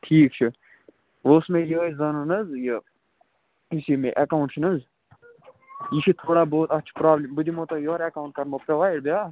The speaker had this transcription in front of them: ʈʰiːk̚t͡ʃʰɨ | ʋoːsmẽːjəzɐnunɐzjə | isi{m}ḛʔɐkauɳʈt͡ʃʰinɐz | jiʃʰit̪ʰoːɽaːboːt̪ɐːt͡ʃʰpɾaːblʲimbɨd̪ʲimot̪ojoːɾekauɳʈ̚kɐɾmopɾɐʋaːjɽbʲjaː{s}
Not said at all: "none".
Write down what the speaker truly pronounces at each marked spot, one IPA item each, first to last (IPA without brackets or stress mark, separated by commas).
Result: m, none